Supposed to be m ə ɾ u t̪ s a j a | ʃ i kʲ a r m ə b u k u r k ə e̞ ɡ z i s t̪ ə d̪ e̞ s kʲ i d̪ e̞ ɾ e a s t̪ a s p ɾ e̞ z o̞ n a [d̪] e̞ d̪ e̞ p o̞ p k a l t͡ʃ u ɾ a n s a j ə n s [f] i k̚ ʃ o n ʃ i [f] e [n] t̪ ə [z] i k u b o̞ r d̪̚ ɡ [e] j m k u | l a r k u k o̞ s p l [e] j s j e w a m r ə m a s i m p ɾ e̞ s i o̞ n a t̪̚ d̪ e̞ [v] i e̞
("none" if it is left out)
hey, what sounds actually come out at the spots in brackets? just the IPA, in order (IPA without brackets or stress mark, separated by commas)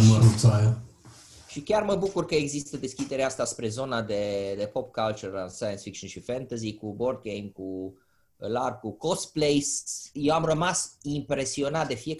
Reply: d̪, f, f, n, z, e, e, f